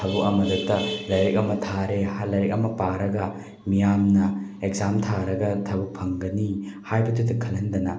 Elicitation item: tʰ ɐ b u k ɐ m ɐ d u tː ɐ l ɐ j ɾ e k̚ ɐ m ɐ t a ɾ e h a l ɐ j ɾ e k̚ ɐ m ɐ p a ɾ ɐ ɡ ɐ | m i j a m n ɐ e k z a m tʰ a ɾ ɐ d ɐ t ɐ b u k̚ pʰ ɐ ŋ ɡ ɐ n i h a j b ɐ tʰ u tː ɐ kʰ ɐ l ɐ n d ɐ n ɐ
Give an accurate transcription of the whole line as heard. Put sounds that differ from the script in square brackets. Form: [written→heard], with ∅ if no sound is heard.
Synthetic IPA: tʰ ɐ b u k ɐ m ɐ d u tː ɐ l ɐ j ɾ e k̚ ɐ m ɐ [t→tʰ] a ɾ e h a l ɐ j ɾ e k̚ ɐ m ɐ p a ɾ ɐ ɡ ɐ | m i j a m n ɐ e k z a m tʰ a ɾ ɐ [d→ɡ] ɐ [t→tʰ] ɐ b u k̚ pʰ ɐ ŋ ɡ ɐ n i h a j b ɐ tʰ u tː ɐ kʰ ɐ l ɐ n d ɐ n ɐ